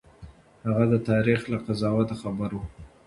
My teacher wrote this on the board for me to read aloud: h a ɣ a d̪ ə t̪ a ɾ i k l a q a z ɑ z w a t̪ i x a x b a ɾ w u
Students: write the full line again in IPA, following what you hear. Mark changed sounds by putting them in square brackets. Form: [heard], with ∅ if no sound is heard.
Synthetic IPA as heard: h a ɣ a d̪ ə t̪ [ɑ] ɾ i [x] l a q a z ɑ [∅] w a t̪ [a] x a [∅] b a ɾ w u